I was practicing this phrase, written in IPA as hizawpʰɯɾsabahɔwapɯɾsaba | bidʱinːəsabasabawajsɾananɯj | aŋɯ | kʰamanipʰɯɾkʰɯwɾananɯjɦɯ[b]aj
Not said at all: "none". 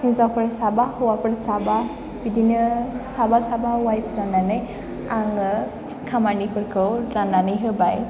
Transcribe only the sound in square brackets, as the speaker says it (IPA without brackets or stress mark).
b